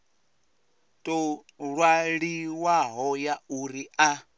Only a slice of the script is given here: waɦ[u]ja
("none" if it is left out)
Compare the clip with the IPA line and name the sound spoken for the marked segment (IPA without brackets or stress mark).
ɔ